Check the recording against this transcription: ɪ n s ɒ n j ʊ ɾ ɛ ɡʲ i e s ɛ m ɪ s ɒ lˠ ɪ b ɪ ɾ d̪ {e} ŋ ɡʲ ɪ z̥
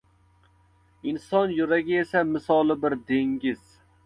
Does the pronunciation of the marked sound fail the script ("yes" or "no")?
no